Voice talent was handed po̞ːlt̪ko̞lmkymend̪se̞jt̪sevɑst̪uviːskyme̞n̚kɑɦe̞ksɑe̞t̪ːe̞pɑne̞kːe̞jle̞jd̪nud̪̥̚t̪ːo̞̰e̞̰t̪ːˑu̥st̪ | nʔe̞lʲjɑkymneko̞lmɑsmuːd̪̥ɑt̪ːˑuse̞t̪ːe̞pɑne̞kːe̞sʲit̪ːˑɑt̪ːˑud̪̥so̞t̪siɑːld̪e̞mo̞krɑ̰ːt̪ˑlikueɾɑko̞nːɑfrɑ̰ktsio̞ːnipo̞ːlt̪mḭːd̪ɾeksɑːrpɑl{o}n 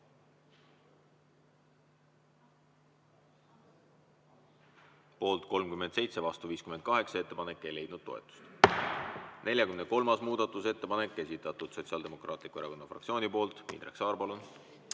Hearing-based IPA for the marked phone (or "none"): u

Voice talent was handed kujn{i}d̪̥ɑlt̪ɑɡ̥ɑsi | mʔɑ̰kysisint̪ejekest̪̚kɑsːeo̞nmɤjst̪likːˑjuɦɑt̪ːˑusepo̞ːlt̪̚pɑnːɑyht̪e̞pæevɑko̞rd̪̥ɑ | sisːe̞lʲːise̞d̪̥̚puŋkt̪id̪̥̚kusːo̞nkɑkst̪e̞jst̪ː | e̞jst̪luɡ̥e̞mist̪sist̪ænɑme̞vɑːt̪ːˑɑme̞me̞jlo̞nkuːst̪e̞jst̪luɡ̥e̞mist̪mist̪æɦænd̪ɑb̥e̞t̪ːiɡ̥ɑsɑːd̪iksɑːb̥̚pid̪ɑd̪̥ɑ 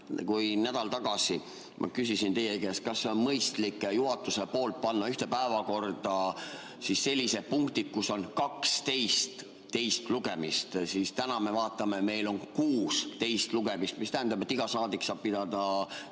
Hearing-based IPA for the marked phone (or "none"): æ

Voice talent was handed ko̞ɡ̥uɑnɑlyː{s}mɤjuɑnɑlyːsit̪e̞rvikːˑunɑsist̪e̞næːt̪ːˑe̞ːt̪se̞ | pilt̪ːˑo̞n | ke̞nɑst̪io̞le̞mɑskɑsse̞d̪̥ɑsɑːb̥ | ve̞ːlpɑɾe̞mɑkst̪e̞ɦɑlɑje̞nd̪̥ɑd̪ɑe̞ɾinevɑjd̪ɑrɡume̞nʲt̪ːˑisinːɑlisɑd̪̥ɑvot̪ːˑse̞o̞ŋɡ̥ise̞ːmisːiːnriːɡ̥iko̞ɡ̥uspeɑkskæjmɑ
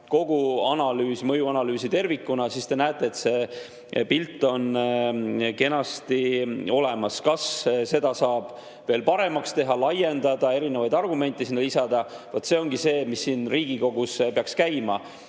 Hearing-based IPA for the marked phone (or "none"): s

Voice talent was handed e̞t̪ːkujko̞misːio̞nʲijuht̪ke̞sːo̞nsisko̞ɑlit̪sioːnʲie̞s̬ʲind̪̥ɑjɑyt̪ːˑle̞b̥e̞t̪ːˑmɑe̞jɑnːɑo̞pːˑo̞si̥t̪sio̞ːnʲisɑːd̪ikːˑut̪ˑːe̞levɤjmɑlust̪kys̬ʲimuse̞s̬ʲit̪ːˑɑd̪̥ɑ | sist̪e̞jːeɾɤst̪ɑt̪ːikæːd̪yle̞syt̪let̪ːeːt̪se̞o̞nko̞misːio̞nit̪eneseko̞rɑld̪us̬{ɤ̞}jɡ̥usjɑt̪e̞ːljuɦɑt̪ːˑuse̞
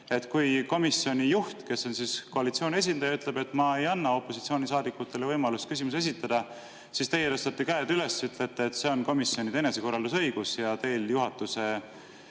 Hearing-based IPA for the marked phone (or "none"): ɤ̞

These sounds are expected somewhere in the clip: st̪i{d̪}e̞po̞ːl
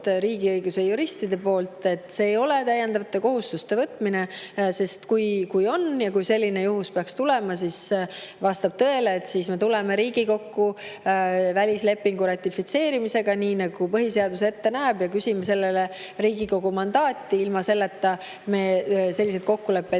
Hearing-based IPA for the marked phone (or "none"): d̪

